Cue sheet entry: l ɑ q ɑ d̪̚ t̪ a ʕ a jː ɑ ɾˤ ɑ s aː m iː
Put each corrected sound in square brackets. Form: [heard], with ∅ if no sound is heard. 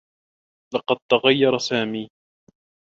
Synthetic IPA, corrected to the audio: l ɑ q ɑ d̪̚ t̪ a [ɣ] a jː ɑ ɾˤ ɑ s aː m iː